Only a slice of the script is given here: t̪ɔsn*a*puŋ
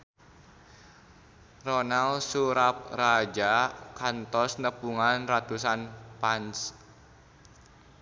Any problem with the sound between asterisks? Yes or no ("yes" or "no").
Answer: yes